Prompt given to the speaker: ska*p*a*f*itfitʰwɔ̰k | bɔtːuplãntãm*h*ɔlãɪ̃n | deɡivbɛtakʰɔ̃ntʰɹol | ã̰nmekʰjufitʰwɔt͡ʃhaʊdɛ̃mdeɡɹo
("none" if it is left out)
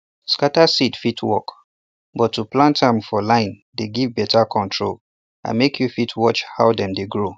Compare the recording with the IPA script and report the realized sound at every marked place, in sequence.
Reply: t, s, f

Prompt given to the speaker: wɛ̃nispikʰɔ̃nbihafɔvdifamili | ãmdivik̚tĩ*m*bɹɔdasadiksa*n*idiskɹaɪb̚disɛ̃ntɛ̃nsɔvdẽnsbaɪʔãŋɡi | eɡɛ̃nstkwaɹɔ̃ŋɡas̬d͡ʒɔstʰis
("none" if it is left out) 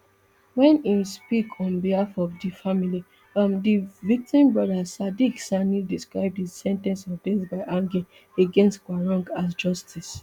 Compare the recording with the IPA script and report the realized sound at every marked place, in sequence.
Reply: m, n

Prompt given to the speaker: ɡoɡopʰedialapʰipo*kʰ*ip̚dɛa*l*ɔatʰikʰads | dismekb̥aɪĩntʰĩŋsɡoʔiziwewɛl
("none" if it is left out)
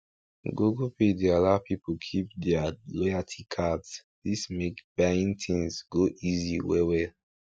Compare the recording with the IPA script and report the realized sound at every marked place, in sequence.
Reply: kʰ, l

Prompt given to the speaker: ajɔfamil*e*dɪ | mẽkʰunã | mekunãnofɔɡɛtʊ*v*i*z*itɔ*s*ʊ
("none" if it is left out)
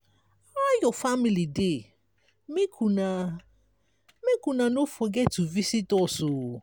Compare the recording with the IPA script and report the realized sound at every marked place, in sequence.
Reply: i, v, s, s

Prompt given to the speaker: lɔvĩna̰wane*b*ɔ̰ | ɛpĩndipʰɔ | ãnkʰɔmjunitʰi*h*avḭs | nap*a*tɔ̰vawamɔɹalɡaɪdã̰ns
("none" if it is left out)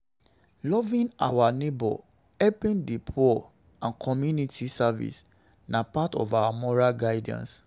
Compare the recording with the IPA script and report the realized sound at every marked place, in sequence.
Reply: b, s, a

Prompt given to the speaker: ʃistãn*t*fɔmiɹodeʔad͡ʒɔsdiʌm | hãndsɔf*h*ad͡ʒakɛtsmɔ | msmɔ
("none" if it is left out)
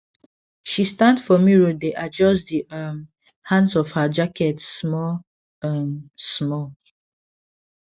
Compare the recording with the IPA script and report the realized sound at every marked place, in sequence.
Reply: d, h

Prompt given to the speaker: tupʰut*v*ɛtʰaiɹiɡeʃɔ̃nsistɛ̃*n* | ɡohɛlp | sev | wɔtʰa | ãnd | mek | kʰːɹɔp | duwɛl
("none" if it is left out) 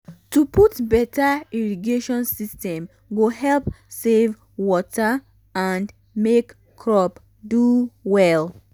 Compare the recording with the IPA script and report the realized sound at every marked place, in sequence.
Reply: b, m

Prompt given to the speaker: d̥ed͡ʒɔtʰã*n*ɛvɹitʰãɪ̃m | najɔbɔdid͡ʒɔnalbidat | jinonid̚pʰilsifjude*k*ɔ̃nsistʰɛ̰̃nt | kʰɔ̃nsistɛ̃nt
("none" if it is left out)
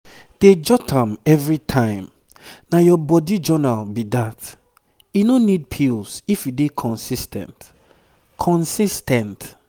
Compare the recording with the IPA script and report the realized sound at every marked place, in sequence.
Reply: m, kʰ

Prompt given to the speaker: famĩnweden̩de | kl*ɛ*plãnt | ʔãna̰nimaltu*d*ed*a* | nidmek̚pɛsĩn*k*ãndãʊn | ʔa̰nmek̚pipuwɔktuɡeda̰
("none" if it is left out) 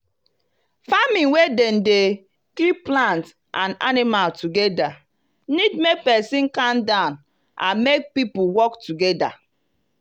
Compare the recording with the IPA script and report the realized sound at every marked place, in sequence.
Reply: i, ɡ, a, k

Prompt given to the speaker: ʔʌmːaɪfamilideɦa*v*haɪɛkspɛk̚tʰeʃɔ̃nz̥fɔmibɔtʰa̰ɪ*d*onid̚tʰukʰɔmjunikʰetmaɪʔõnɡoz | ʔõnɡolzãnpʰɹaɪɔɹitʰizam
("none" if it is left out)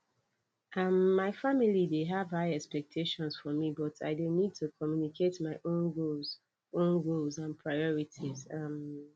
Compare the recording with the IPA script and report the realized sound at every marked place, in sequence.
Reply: v, d

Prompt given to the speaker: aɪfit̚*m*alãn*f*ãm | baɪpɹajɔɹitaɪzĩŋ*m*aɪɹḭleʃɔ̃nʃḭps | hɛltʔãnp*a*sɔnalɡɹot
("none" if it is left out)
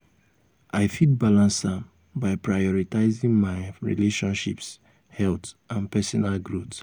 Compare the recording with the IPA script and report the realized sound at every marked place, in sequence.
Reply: b, s, m, ɛ

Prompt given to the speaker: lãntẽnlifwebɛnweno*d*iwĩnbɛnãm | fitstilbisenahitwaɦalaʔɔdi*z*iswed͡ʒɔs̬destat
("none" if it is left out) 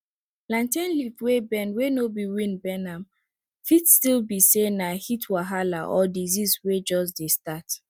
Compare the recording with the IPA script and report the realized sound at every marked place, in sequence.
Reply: b, z

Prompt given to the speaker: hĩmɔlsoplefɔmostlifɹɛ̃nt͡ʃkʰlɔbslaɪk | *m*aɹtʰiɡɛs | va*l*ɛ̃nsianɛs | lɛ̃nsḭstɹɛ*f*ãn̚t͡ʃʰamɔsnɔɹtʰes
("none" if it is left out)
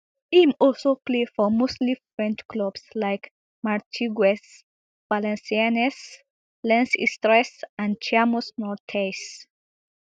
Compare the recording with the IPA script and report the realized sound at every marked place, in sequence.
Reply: m, l, s

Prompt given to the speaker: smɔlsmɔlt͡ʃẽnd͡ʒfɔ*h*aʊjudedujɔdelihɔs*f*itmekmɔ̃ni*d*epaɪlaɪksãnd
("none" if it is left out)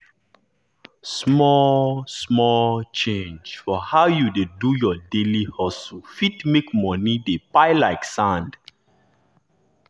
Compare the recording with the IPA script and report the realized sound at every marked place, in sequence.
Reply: h, f, d

